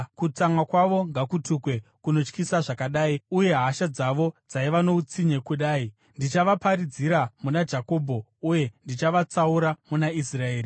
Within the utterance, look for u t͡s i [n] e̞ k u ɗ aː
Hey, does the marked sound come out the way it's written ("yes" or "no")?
no